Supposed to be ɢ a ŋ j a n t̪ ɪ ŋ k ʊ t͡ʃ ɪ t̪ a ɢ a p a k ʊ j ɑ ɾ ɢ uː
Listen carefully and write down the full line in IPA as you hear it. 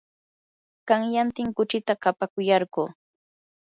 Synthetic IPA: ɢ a ŋ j a n t̪ ɪ ŋ k ʊ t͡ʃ ɪ t̪ a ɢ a p a k ʊ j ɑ ɾ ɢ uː